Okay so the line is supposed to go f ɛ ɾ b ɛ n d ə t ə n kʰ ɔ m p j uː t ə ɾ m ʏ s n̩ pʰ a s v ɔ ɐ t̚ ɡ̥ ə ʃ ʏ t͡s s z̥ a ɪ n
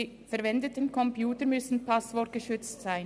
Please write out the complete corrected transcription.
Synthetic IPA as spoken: f ɛ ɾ v ɛ n d ə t ə n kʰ ɔ m p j uː t ə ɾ m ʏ s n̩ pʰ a s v ɔ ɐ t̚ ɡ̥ ə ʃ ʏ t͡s t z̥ a ɪ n